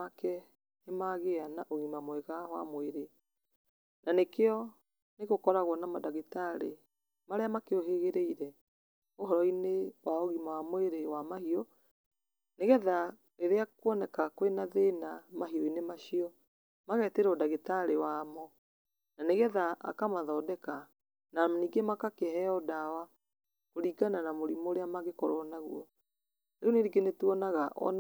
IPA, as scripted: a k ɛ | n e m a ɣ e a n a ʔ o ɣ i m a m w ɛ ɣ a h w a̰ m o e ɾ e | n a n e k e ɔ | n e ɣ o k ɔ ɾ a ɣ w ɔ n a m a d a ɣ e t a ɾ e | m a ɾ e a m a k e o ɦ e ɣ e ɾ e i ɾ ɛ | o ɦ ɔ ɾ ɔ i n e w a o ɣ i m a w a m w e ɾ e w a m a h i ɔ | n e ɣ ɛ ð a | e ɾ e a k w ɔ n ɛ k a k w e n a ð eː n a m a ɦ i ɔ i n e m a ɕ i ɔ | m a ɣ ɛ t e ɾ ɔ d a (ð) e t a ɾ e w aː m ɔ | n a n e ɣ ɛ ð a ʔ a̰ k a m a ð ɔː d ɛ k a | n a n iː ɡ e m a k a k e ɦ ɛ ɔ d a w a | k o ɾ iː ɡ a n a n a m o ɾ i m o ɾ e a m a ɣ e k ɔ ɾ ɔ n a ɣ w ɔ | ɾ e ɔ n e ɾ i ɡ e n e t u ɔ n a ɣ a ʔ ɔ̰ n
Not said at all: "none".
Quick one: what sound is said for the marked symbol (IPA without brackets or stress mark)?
ɣ